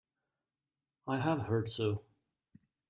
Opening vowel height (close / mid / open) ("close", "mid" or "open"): open